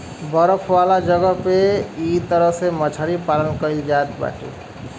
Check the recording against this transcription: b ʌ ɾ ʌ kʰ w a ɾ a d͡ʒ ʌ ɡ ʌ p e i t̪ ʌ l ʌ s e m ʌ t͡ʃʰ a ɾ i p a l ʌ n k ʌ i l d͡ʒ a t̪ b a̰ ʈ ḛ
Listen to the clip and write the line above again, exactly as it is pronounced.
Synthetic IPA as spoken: b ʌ ɾ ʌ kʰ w a l a d͡ʒ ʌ ɡ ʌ p e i t̪ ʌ ɾ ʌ s e m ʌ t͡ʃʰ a ɾ i p a l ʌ n k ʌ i l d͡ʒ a t̪ b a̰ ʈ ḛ